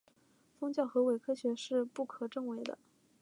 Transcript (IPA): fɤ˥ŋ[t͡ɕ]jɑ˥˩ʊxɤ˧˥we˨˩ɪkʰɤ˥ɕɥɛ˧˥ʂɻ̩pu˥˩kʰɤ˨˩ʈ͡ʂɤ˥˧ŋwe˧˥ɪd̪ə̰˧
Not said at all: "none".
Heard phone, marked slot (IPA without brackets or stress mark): t͡ɕ